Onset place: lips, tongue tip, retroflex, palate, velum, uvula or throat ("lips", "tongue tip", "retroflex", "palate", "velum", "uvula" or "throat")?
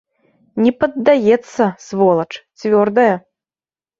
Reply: tongue tip